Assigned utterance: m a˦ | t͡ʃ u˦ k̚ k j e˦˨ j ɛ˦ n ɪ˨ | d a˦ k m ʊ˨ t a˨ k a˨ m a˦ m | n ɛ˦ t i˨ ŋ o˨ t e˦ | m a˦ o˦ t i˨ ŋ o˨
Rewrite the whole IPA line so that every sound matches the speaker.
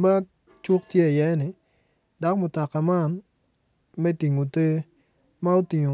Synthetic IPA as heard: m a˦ | t͡ʃ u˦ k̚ t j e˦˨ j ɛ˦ n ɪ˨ | d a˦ k m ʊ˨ t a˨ k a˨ m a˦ n | m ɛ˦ t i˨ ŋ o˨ t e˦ | m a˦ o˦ t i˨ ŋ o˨